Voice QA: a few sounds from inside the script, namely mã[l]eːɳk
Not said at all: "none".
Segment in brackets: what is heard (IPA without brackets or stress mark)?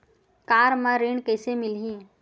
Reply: ɾ